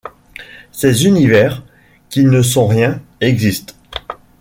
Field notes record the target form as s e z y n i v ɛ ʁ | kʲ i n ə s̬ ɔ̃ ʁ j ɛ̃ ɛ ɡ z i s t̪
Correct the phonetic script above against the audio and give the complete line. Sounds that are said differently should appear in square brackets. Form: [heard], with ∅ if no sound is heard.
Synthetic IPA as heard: s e z y n i v ɛ ʁ | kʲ i n ə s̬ ɔ̃ ʁ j ɛ̃ ɛ ɡ z i s t̪